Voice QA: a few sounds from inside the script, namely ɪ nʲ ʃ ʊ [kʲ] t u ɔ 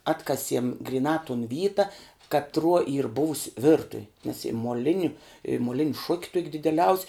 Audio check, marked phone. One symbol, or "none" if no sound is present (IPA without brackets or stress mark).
kʲ